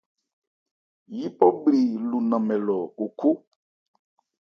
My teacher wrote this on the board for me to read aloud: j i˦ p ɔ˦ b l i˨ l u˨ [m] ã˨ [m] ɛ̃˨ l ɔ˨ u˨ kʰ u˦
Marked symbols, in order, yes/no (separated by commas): no, yes